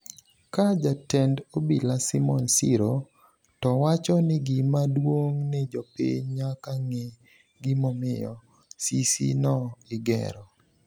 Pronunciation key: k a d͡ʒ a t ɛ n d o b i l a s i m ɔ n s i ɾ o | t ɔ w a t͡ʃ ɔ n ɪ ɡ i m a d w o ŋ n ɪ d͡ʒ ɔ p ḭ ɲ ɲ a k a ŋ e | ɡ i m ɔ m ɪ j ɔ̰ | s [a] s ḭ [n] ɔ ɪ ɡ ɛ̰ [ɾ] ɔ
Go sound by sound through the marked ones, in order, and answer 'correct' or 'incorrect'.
incorrect, correct, correct

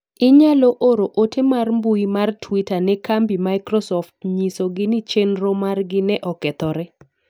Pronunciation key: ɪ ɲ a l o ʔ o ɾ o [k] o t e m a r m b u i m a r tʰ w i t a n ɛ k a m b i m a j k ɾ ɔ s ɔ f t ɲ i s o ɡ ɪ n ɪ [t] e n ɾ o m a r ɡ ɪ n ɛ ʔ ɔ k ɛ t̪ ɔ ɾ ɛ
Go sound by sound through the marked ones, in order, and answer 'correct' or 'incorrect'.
incorrect, incorrect

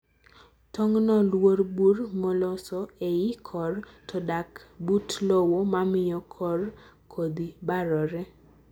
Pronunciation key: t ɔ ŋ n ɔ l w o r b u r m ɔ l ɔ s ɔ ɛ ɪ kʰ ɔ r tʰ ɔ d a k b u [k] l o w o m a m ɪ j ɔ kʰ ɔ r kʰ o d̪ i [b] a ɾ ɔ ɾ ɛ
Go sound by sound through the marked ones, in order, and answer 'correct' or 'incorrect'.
incorrect, correct

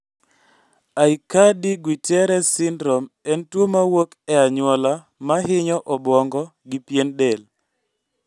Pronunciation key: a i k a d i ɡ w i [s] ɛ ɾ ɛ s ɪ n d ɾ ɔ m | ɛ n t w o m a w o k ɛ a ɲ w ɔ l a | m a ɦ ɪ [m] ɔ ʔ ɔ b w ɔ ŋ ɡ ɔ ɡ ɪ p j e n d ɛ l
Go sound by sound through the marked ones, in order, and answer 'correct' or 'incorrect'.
incorrect, incorrect

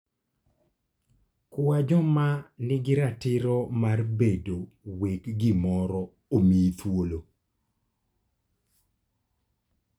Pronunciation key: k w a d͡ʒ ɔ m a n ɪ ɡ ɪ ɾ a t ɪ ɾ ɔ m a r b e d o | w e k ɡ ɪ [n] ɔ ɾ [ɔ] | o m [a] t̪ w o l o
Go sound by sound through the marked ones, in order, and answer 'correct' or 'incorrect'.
incorrect, correct, incorrect

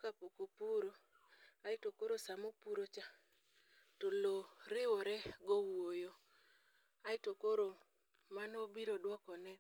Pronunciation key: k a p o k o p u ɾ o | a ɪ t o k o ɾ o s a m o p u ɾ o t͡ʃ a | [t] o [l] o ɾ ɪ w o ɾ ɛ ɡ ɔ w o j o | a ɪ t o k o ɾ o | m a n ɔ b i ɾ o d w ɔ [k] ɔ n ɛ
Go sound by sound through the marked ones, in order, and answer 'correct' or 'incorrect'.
correct, correct, correct

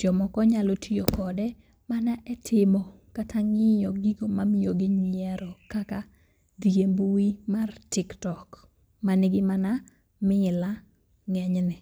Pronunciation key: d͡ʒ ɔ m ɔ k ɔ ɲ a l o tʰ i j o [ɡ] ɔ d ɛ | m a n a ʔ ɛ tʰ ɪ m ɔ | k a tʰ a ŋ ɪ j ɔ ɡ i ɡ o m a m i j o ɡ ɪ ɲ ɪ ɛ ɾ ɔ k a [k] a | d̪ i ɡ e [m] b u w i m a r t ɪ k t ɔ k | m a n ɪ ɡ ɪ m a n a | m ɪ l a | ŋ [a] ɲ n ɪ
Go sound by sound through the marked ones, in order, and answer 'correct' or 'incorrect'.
incorrect, correct, correct, incorrect

